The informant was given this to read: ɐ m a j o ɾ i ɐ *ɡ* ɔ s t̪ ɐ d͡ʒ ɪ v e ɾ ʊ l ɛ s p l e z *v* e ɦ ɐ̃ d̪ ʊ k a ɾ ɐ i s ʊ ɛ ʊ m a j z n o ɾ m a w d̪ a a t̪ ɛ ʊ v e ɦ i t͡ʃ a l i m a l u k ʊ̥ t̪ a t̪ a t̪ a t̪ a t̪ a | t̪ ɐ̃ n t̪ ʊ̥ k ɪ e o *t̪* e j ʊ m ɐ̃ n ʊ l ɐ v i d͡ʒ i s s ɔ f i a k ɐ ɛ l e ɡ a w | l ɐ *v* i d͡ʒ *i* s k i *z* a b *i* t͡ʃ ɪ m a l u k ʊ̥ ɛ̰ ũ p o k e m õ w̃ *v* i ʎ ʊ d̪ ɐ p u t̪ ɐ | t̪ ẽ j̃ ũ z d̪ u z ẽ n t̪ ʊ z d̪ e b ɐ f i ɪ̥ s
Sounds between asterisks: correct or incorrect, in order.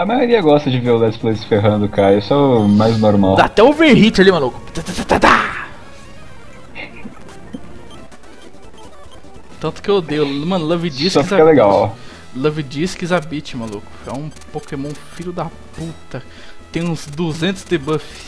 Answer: correct, incorrect, incorrect, correct, correct, correct, correct, incorrect

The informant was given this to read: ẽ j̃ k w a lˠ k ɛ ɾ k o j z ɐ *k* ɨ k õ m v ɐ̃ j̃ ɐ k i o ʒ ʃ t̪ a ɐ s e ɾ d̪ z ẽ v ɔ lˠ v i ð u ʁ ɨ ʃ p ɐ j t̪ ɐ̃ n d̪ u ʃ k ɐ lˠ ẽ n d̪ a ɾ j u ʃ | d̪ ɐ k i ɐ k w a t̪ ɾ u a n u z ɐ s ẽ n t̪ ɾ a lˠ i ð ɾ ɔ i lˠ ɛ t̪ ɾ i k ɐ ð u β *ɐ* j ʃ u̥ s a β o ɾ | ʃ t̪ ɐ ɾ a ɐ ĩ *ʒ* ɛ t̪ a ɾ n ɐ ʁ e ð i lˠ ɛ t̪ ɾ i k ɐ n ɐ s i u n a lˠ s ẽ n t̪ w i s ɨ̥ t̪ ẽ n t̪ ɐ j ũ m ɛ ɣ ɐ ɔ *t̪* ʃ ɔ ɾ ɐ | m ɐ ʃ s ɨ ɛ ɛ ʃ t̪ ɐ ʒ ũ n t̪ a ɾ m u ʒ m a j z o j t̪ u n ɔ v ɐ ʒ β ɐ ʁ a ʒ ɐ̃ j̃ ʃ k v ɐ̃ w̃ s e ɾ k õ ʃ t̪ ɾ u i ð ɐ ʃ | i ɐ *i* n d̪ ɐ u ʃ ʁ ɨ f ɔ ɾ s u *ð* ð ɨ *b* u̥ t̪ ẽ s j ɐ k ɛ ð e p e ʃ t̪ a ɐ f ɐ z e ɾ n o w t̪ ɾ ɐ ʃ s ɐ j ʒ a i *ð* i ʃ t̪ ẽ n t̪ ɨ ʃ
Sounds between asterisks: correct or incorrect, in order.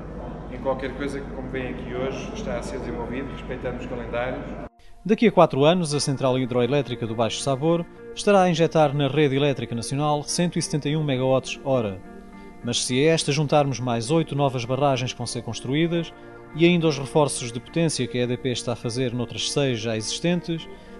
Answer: correct, incorrect, correct, correct, incorrect, incorrect, incorrect, incorrect

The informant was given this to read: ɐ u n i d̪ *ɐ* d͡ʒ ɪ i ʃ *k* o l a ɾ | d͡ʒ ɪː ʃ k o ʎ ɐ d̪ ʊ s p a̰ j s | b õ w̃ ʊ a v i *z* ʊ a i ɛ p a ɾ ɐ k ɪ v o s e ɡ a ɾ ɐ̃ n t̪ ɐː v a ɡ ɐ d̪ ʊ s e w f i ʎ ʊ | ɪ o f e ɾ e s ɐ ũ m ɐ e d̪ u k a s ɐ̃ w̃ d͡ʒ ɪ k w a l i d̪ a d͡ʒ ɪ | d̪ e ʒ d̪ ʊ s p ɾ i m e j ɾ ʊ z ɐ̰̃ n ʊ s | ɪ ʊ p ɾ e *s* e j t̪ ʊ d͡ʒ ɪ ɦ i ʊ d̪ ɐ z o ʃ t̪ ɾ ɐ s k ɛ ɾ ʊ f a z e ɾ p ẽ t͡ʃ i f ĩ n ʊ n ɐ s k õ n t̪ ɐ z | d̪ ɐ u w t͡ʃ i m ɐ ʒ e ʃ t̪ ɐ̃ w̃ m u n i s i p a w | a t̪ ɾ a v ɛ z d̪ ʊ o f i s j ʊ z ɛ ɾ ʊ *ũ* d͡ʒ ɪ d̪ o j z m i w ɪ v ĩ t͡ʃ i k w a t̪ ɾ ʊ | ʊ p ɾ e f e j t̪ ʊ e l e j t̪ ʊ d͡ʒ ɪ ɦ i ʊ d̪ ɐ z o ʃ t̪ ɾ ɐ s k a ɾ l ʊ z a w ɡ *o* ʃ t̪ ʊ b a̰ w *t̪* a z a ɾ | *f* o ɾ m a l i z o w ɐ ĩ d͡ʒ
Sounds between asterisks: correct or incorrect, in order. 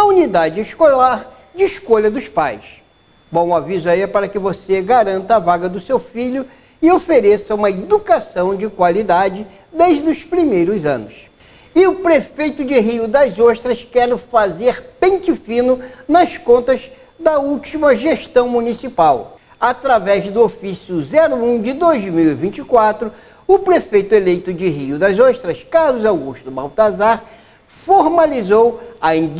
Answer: incorrect, correct, correct, incorrect, correct, incorrect, correct, correct

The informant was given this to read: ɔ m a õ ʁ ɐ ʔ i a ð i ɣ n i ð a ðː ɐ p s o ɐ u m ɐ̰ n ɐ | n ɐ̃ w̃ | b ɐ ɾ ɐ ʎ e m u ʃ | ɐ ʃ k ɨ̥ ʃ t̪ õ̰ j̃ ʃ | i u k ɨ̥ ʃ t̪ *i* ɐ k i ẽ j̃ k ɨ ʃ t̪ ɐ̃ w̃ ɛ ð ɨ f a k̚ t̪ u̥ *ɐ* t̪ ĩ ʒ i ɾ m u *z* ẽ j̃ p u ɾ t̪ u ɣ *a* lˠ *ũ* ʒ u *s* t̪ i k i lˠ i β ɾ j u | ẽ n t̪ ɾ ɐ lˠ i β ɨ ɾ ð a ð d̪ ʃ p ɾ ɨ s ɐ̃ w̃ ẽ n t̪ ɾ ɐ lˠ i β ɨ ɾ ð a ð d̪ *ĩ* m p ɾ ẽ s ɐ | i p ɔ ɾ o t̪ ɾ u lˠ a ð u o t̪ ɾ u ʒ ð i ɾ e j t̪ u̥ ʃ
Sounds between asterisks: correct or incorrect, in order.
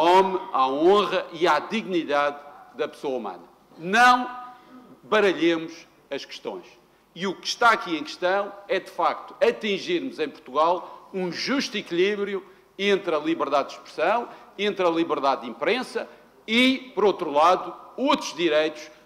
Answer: incorrect, correct, correct, correct, correct, incorrect, correct

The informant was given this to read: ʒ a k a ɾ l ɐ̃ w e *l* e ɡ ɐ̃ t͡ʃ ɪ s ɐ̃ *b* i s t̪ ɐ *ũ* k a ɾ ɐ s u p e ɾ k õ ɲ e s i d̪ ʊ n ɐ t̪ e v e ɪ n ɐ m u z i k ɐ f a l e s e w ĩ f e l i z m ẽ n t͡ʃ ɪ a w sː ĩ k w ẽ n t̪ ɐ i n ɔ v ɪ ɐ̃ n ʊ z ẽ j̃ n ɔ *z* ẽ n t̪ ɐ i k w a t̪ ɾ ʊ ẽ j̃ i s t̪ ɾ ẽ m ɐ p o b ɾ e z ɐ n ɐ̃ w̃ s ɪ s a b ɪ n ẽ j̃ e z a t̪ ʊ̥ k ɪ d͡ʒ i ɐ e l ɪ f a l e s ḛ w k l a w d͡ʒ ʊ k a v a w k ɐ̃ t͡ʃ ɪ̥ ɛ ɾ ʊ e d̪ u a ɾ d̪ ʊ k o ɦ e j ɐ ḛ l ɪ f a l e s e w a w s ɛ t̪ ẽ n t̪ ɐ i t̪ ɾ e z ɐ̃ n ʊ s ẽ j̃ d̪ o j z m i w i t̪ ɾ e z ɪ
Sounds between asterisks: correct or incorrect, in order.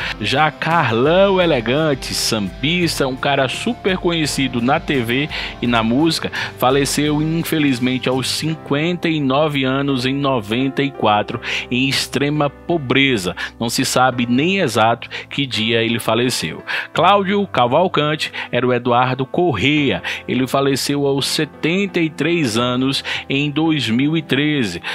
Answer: correct, correct, correct, incorrect

